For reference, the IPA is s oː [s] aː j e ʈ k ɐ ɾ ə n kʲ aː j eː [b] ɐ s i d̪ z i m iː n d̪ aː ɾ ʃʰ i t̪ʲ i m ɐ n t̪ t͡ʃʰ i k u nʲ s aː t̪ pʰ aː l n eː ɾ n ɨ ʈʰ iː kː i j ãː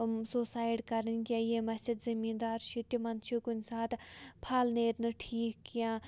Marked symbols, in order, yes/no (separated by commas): yes, no